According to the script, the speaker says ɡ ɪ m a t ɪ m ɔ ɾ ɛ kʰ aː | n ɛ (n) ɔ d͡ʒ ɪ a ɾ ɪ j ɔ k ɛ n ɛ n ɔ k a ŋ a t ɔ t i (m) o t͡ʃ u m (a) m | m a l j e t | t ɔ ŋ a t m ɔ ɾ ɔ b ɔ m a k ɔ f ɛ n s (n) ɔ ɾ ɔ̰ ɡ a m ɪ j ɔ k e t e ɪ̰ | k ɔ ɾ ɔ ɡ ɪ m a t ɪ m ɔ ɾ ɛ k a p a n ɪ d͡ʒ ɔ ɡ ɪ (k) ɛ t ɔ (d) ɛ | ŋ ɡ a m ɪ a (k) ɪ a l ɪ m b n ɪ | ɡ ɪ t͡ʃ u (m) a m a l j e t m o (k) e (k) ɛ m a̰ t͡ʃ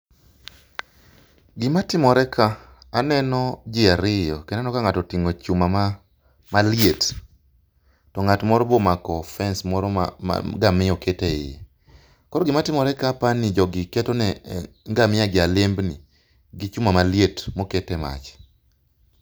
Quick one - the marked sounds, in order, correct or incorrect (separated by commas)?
correct, incorrect, correct, incorrect, correct, incorrect, incorrect, correct, correct, incorrect